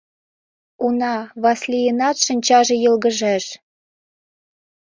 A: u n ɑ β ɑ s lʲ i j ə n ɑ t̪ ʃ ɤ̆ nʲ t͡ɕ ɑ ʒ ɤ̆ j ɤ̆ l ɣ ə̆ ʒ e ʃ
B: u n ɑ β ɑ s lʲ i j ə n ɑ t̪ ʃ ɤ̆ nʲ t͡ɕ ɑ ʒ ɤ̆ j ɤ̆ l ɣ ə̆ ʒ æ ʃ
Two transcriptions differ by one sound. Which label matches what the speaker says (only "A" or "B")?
B